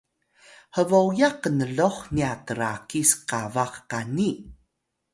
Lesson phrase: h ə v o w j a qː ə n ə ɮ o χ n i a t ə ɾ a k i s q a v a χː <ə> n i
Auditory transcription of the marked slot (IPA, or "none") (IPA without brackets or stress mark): a